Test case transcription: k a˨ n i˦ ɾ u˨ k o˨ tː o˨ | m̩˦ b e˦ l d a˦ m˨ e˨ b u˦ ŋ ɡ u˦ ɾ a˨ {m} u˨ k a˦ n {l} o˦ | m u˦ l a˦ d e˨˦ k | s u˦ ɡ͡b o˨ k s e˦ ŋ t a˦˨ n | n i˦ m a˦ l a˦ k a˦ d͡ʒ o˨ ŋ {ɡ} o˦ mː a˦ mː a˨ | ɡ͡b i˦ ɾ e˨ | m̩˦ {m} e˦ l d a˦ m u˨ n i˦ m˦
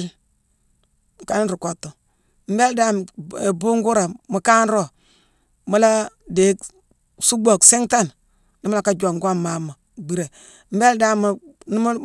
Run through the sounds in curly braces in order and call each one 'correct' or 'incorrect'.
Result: correct, incorrect, correct, incorrect

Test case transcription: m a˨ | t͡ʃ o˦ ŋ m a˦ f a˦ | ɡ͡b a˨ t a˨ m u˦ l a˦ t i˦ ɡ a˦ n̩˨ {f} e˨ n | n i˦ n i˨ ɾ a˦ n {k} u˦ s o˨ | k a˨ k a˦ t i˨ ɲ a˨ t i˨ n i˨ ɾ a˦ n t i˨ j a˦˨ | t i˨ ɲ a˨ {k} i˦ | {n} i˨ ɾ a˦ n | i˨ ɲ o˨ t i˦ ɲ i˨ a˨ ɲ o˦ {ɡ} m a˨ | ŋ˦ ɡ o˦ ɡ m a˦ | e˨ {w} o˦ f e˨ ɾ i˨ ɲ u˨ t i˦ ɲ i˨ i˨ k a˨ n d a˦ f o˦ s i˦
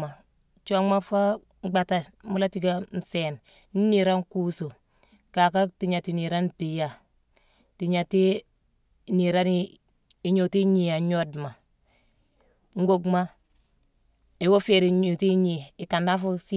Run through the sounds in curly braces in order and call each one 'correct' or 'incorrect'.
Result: incorrect, correct, incorrect, correct, incorrect, correct

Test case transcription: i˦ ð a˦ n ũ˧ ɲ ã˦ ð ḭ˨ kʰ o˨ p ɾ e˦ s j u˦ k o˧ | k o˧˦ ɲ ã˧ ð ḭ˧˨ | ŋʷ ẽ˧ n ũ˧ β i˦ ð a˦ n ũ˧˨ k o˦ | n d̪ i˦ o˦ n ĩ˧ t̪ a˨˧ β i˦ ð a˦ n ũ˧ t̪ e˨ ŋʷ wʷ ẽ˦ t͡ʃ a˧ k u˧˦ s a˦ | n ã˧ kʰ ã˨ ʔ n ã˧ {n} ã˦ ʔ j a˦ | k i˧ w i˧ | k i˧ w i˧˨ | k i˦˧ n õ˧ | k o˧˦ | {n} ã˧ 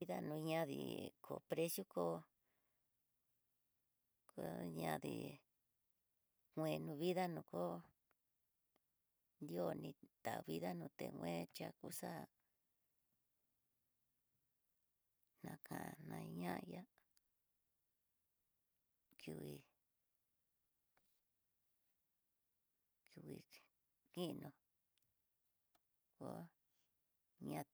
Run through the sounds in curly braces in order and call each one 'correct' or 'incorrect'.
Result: incorrect, incorrect

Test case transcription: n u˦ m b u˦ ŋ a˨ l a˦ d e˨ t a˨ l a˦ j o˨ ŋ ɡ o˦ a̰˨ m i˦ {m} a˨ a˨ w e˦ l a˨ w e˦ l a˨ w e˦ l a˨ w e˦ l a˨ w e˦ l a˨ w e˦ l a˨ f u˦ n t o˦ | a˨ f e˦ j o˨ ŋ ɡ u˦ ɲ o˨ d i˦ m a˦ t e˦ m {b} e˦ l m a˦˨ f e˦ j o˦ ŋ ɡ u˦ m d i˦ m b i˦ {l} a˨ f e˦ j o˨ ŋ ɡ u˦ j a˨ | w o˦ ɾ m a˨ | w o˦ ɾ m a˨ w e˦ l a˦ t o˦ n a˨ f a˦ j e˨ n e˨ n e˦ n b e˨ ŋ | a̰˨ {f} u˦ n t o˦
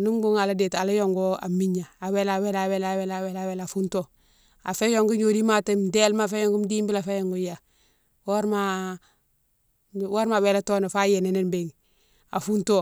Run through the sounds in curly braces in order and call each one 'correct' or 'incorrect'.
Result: incorrect, incorrect, correct, correct

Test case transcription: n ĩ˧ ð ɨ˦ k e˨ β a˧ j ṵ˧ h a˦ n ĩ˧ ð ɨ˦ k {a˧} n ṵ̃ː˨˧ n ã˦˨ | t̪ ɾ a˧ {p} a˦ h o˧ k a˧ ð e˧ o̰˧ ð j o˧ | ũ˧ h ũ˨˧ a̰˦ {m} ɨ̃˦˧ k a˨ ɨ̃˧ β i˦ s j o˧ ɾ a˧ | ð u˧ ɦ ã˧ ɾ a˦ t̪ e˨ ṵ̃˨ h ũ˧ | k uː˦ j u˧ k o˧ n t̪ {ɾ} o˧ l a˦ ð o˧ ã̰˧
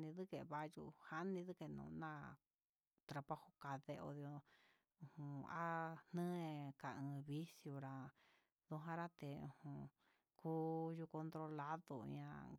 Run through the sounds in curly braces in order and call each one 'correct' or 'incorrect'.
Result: incorrect, correct, incorrect, correct

